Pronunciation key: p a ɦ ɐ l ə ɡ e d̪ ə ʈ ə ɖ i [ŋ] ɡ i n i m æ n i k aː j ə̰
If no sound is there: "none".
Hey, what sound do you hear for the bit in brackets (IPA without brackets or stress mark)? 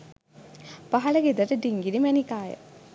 ŋ